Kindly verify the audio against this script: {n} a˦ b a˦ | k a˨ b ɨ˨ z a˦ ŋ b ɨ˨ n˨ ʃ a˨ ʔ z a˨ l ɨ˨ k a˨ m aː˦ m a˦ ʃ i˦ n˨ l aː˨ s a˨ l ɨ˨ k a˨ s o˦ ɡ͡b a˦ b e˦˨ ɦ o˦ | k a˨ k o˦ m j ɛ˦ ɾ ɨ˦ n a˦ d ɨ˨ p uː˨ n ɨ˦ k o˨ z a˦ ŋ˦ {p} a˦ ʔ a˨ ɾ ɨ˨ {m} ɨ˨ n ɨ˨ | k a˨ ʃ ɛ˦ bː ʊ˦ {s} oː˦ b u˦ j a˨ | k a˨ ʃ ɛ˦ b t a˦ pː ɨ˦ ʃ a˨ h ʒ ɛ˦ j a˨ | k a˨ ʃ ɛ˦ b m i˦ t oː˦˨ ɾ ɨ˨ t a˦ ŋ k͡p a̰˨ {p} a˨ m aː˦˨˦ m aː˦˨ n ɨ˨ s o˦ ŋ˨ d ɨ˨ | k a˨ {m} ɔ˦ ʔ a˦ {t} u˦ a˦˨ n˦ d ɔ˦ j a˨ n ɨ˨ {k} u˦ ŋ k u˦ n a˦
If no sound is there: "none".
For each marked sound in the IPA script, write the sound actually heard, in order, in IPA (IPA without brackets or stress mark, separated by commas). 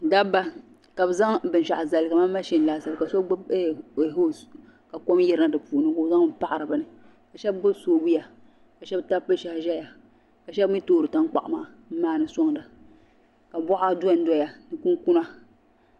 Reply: d, p, b, s, ʔ, b, d, k